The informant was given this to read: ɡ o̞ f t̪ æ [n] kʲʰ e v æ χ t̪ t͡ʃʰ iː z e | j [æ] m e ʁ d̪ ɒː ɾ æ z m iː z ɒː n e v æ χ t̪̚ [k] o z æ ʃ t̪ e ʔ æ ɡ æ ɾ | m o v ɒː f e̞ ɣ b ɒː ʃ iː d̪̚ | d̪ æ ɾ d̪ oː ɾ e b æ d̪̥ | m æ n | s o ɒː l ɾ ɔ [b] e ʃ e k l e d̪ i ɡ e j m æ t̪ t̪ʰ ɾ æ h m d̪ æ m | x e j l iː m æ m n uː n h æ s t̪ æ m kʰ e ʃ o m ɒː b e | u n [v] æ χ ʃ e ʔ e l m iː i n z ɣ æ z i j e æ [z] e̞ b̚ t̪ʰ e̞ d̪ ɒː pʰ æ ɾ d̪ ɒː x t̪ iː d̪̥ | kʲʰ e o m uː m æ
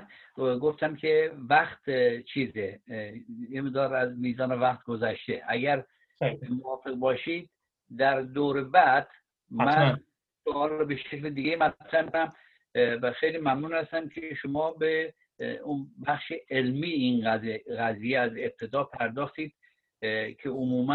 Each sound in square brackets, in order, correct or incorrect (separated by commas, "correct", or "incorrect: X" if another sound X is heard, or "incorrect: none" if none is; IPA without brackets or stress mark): incorrect: m, incorrect: e, incorrect: ɡ, correct, incorrect: b, correct